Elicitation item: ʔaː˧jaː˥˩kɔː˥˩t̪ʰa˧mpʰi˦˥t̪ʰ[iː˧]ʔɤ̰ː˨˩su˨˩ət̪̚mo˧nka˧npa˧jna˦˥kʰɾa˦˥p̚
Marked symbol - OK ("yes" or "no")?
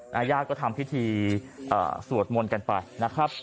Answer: yes